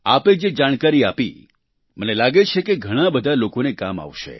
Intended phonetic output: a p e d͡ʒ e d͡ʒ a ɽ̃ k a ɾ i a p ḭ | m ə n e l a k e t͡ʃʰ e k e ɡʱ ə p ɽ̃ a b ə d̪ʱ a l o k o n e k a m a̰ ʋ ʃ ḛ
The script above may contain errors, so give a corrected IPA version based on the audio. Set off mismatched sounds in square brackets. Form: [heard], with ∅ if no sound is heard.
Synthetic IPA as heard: a p e d͡ʒ e d͡ʒ a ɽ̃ k a ɾ i a p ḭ | m ə n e l a [ɡ] e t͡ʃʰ e k e ɡʱ ə [∅] ɽ̃ a b ə d̪ʱ a l o k o n e k a m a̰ ʋ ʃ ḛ